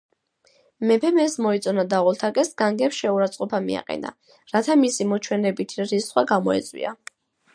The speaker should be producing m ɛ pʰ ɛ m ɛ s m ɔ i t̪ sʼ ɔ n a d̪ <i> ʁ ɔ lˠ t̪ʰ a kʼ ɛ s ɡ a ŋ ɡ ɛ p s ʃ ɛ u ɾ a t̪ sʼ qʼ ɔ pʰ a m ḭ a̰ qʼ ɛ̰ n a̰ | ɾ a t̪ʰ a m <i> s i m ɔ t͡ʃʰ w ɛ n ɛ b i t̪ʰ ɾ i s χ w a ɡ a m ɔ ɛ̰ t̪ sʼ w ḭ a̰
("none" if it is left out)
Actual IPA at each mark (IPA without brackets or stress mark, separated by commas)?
a, i